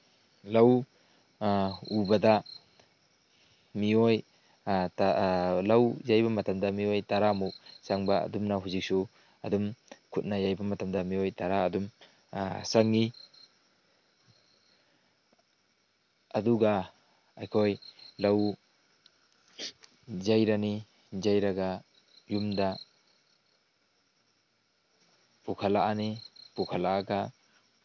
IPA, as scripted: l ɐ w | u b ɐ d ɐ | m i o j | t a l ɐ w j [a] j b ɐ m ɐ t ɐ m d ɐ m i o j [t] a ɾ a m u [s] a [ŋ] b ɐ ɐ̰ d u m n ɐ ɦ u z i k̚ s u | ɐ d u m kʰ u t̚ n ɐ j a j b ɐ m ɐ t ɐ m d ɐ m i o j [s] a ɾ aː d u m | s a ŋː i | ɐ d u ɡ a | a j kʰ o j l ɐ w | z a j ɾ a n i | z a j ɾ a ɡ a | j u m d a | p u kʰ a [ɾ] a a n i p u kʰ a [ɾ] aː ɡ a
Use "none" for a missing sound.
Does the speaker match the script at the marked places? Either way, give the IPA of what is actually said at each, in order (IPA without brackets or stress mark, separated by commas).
a, t, s, ŋ, t, l, l